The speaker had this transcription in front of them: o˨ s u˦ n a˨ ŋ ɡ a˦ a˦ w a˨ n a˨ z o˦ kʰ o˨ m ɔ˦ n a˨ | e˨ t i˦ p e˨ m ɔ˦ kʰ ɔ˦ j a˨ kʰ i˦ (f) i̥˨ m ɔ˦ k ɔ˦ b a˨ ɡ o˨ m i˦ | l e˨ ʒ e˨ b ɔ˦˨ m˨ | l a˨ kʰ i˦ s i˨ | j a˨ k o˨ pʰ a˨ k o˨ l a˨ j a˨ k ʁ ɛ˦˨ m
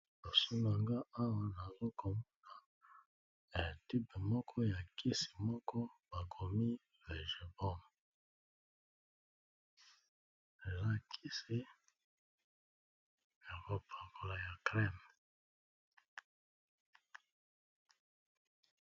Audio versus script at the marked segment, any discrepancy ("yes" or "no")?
yes